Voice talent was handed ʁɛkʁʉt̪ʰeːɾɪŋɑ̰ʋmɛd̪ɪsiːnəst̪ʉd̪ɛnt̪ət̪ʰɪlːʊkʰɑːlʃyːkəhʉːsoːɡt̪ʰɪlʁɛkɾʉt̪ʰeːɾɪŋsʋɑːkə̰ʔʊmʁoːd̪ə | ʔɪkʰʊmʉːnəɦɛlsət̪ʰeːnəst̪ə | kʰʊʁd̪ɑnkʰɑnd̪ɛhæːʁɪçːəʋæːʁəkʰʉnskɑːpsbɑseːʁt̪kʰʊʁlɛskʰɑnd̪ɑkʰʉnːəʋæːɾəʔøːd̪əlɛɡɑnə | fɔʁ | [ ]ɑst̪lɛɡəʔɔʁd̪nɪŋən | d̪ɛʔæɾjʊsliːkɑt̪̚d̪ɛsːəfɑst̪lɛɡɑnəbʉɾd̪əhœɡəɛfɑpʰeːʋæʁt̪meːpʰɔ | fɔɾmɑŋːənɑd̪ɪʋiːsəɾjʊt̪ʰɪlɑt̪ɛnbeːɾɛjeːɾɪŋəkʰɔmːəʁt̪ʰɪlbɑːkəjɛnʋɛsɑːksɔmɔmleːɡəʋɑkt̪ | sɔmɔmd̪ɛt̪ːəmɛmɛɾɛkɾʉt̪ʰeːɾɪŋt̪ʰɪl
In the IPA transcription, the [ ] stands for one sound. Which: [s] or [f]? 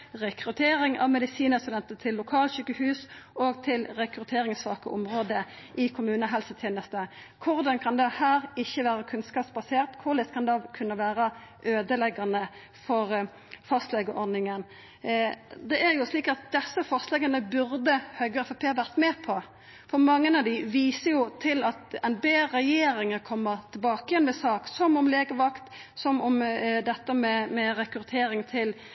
f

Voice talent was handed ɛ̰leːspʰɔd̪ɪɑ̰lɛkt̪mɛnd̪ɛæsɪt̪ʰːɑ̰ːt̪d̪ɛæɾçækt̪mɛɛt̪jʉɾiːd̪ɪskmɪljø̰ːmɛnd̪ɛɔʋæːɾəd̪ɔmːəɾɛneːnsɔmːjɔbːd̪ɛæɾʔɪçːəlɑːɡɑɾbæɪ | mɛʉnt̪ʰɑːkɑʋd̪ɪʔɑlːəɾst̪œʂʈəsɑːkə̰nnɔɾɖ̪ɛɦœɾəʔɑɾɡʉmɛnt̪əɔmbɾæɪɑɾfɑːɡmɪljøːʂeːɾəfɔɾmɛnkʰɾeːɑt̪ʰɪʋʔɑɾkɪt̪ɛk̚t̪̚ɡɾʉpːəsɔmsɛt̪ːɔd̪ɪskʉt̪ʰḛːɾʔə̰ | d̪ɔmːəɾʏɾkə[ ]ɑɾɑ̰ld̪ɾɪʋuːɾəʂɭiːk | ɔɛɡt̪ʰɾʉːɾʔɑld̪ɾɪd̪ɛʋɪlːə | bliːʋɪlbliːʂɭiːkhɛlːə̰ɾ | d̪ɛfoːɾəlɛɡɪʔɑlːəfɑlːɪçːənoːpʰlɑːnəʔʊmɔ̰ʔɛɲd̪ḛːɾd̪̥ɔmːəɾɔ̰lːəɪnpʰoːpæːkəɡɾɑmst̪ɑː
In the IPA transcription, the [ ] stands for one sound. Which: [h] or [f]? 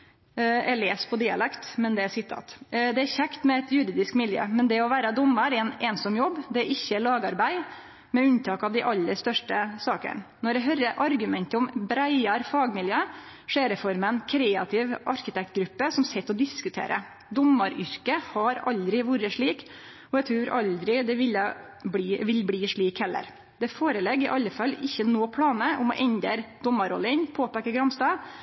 h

